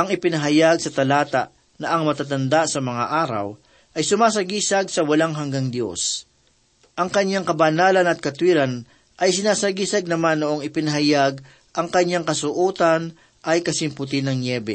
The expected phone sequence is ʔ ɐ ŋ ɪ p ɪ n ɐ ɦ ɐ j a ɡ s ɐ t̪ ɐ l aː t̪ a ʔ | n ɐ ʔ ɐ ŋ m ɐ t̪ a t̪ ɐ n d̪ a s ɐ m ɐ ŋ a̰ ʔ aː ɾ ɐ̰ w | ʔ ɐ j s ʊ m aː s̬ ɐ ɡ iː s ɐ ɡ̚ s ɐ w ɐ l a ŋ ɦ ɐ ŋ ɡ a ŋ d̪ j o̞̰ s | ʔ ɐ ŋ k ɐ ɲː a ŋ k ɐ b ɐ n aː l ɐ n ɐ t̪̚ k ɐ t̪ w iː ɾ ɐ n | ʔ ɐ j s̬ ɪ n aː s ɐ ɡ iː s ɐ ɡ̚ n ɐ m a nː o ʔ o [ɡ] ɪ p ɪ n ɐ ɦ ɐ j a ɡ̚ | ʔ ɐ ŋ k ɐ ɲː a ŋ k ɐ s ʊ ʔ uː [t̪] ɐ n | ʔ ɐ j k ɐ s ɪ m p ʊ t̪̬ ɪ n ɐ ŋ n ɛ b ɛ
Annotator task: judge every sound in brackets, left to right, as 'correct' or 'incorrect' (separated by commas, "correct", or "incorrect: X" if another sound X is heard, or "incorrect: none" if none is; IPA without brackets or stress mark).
incorrect: ŋ, correct